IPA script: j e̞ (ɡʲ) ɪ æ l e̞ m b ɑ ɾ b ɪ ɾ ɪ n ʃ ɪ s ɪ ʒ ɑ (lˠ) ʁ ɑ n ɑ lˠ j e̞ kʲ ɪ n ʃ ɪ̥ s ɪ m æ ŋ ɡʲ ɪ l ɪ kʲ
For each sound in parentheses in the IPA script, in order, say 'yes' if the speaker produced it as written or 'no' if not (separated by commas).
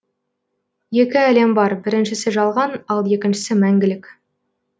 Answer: no, yes